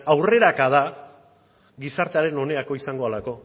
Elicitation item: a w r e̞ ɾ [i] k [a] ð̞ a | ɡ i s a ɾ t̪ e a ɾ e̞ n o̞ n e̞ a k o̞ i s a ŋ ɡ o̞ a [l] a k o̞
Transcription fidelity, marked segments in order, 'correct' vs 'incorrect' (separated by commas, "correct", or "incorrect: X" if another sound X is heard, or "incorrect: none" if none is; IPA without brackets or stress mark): incorrect: a, correct, correct